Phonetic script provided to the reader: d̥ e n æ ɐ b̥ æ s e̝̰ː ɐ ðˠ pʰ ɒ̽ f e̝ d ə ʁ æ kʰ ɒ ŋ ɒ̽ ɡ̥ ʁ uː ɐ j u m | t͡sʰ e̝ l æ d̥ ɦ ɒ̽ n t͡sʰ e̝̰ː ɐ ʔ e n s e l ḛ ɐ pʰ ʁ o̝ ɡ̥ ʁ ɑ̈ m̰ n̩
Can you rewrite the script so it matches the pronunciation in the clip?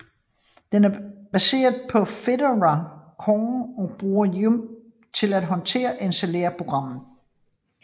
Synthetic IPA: d̥ e n æ ɐ b̥ æ s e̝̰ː ɐ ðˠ pʰ ɒ̽ f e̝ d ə ʁ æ kʰ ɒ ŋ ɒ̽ b̥ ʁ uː ɐ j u m | t͡sʰ e̝ l æ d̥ ɦ ɒ̽ n t͡sʰ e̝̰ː ɐ ʔ e n s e l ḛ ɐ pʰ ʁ o̝ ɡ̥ ʁ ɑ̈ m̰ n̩